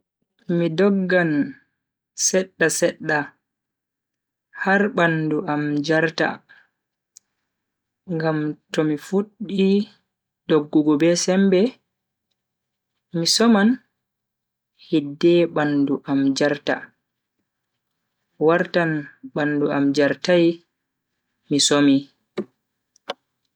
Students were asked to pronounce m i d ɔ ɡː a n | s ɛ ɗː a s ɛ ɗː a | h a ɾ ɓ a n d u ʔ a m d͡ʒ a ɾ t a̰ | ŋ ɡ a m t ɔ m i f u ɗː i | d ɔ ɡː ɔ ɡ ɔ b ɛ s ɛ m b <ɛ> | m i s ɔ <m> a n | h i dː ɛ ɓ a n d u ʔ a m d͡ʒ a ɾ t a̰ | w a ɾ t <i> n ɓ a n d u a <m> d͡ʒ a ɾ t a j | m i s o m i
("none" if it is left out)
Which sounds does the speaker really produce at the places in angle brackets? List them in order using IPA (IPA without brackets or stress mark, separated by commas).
ɛ, m, a, m